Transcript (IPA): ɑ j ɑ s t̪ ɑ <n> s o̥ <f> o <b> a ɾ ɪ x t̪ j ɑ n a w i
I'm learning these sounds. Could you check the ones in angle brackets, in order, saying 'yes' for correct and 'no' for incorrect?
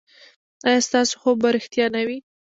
no, no, yes

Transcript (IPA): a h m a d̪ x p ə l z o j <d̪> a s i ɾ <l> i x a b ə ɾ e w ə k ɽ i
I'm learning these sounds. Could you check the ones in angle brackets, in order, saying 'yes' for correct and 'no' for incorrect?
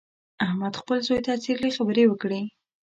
no, yes

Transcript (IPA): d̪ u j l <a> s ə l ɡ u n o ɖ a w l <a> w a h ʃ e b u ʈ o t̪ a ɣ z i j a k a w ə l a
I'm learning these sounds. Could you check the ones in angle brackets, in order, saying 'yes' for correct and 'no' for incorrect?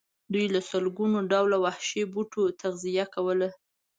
yes, yes

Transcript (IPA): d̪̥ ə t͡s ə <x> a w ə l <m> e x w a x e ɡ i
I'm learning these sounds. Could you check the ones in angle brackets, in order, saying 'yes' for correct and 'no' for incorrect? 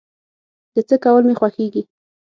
no, yes

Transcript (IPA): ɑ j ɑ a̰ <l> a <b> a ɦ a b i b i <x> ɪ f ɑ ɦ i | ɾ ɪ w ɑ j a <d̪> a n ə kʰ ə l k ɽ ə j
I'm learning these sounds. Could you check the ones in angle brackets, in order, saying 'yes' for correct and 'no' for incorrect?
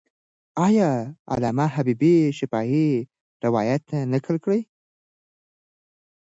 yes, no, no, no

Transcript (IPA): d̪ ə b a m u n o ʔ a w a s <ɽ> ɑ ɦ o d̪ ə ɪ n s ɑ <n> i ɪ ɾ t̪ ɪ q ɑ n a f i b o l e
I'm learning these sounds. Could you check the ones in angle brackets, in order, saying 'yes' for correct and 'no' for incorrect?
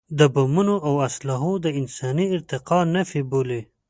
no, yes

